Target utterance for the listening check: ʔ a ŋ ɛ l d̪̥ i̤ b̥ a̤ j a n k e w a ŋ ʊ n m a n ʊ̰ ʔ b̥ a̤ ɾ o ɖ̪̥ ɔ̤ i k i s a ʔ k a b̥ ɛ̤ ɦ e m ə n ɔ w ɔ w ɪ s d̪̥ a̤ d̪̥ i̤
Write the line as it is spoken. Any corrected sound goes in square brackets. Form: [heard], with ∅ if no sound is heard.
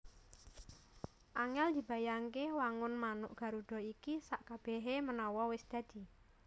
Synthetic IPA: ʔ a ŋ ɛ l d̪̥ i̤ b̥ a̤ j a [ŋ] k e w a ŋ ʊ n m a n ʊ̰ ʔ [ɡ̥] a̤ ɾ [u] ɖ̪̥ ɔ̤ i k i s a ʔ k a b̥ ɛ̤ ɦ e m ə n ɔ w ɔ w ɪ s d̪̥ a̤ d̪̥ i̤